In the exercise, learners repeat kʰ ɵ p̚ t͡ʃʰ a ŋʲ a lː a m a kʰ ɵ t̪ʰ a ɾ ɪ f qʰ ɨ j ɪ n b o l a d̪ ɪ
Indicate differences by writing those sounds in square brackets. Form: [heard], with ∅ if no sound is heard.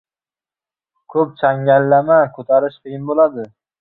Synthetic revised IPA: kʰ ɵ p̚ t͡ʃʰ a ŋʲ a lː a m a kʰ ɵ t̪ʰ a ɾ ɪ [ʃ] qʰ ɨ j ɪ n b o l a d̪ ɪ